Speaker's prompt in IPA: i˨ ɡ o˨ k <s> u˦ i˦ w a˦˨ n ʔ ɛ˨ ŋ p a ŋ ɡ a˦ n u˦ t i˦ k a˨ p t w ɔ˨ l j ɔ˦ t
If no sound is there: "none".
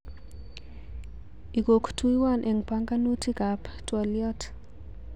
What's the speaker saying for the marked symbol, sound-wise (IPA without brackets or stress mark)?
t